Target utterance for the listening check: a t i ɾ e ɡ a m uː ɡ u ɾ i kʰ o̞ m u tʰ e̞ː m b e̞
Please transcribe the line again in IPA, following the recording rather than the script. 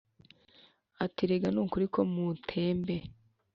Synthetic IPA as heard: a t i ɾ e ɡ a n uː k u ɾ i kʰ o̞ m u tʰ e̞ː m b e̞